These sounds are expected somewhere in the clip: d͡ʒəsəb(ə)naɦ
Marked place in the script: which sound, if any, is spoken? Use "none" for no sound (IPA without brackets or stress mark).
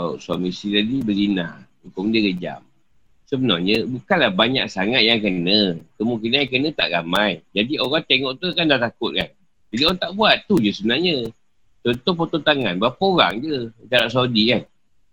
ə